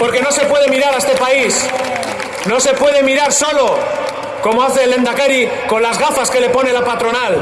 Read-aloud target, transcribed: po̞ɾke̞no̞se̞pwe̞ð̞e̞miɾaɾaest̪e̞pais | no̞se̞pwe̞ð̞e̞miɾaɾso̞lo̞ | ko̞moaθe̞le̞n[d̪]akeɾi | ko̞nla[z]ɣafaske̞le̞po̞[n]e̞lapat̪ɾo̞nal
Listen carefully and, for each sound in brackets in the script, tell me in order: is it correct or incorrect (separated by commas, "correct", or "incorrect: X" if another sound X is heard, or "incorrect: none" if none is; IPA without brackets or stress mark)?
correct, correct, correct